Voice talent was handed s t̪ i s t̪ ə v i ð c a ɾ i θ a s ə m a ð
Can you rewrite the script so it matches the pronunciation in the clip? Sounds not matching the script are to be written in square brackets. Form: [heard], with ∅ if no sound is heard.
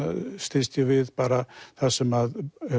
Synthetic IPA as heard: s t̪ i s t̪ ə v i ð [p] a ɾ [a] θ a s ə m a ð